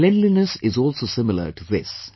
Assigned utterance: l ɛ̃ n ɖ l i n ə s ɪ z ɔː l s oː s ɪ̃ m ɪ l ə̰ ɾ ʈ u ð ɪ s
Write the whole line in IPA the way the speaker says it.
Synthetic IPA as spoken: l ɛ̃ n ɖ l i n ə s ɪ z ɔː l s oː s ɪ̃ m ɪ l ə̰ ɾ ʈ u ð ɪ s